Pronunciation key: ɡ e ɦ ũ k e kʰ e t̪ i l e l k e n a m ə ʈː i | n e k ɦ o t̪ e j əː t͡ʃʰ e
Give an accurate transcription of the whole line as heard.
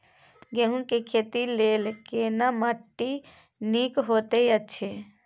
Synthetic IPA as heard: ɡ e ɦ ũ k e kʰ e t̪ i l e l k e n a m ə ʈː i | n i k ɦ o t̪ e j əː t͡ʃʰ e